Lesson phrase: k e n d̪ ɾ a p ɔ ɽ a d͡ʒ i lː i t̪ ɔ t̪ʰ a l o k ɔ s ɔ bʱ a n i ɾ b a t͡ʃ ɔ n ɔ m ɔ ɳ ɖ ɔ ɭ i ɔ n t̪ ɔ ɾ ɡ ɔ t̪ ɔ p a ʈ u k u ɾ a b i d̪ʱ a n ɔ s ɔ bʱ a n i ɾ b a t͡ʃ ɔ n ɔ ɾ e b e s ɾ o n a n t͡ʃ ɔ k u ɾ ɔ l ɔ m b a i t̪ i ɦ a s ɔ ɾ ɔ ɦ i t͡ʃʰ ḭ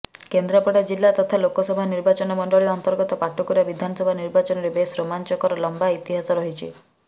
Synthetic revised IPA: k e n d̪ ɾ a p ɔ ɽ a d͡ʒ i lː a t̪ ɔ t̪ʰ a l o k ɔ s ɔ bʱ a n i ɾ b a t͡ʃ ɔ n ɔ m ɔ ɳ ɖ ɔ ɭ i ɔ n t̪ ɔ ɾ ɡ ɔ t̪ ɔ p a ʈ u k u ɾ a b i d̪ʱ a n ɔ s ɔ bʱ a n i ɾ b a t͡ʃ ɔ n ɔ ɾ e b e s ɾ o m a n t͡ʃ ɔ k ɔ ɾ ɔ l ɔ m b a i t̪ i ɦ a s ɔ ɾ ɔ ɦ i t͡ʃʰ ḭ